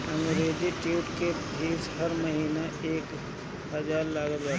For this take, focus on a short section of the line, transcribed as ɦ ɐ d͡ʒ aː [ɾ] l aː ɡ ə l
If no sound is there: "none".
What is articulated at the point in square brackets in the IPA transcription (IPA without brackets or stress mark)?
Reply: ɾ